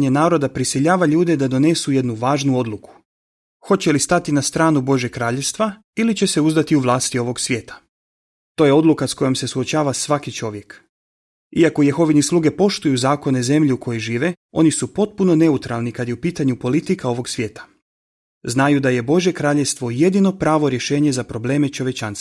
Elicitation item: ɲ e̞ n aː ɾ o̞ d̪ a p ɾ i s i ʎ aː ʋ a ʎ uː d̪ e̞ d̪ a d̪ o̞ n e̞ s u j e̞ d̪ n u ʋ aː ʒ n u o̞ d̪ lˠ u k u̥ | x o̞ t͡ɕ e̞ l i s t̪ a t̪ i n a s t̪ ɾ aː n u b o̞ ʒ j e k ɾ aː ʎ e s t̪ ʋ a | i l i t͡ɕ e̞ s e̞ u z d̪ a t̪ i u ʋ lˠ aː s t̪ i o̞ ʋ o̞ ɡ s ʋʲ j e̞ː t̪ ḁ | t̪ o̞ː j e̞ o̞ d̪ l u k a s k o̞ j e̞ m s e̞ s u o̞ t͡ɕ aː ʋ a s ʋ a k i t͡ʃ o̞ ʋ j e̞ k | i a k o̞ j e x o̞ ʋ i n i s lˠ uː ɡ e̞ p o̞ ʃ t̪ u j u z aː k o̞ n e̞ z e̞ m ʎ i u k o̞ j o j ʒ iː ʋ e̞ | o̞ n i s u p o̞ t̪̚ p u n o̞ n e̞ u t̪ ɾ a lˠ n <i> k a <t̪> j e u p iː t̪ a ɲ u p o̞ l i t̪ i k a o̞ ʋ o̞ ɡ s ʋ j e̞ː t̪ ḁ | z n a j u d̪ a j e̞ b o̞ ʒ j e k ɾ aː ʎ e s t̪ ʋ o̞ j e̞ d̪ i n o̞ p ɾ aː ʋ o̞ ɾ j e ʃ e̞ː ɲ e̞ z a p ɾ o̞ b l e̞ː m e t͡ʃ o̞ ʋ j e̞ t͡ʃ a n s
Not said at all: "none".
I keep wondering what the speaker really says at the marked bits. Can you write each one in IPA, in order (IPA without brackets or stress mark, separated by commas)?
i, d̪